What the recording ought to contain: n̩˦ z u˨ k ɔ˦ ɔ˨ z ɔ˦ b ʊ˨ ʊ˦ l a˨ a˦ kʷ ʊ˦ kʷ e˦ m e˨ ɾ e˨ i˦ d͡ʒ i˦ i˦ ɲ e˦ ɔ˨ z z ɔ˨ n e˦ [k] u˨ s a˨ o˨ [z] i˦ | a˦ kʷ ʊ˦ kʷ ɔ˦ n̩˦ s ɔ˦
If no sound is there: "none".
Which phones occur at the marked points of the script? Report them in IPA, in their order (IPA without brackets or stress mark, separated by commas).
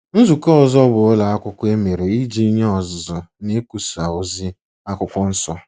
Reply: k, z